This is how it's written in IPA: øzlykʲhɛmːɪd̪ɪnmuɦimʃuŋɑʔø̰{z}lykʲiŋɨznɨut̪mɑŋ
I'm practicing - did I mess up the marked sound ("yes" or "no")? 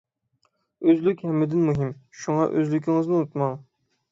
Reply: no